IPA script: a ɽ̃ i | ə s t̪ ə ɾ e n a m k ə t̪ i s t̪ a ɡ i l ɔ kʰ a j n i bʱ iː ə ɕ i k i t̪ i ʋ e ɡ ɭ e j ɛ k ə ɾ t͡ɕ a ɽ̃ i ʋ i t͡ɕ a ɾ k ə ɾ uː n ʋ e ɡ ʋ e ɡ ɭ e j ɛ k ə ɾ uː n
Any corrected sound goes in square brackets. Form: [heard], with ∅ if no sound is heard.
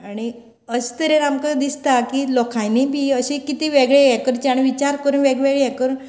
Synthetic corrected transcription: a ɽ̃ i | ə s t̪ ə ɾ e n a m k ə [d̪] i s t̪ a [k] i l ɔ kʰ a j n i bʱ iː ə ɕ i k i t̪ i ʋ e ɡ ɭ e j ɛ k ə ɾ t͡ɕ a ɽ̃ i ʋ i t͡ɕ a ɾ k ə ɾ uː n ʋ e ɡ ʋ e ɡ ɭ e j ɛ k ə ɾ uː n